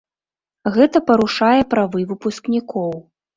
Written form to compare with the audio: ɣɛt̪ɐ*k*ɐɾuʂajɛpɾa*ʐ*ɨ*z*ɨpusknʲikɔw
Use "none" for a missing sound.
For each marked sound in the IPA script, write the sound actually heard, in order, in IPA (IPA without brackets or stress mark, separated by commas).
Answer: p, v, v